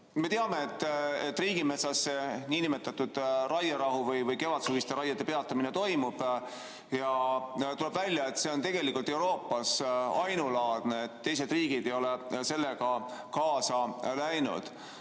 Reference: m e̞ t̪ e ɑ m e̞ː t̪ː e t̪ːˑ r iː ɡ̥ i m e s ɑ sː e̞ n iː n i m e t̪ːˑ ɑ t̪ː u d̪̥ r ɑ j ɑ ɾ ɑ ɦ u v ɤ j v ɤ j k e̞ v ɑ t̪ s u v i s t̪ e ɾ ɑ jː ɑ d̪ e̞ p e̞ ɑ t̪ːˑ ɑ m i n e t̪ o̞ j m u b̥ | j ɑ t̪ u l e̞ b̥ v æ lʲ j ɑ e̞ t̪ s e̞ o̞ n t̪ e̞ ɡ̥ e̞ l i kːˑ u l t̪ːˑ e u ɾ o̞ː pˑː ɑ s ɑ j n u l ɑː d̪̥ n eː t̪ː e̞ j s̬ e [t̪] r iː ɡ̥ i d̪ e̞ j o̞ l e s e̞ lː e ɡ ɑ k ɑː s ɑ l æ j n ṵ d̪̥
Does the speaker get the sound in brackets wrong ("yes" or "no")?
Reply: yes